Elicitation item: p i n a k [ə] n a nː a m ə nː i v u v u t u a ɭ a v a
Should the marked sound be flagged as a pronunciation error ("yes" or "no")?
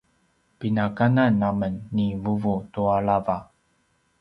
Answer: yes